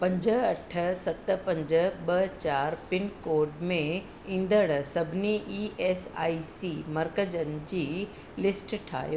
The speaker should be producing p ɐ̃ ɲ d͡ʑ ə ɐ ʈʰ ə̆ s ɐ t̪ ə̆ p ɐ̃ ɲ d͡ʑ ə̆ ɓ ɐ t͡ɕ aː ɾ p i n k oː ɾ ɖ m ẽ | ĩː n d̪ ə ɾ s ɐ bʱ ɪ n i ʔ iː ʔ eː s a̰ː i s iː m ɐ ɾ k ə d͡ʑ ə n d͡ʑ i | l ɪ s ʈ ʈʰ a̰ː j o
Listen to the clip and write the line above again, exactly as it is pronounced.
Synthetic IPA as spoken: p ɐ̃ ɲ d͡ʑ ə ɐ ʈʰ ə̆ s ɐ t̪ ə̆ p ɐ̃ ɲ d͡ʑ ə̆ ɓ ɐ t͡ɕ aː ɾ p ɪ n k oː ɾ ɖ m ẽ | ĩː n d̪ ə ɽ s ɐ bʱ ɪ n i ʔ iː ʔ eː s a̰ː i s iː m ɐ ɾ k ə d͡ʑ ə n d͡ʑ iː | l ɪ s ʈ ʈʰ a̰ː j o